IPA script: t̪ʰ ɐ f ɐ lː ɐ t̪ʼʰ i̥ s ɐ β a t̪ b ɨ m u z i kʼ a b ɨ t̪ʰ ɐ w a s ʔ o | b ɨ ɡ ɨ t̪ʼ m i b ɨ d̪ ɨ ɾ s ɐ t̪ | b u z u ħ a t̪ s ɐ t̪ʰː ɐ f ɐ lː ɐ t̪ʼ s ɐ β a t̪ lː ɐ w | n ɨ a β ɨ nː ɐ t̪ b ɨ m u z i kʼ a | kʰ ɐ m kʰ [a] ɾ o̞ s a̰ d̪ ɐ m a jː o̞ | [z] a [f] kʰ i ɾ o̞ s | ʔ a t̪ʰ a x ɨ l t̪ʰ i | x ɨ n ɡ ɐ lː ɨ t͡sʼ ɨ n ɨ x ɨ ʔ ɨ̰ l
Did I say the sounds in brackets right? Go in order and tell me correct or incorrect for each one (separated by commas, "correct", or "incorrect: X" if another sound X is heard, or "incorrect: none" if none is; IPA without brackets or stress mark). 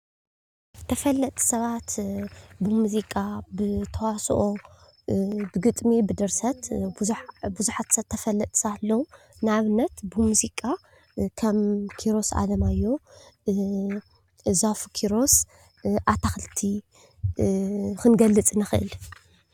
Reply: incorrect: i, correct, correct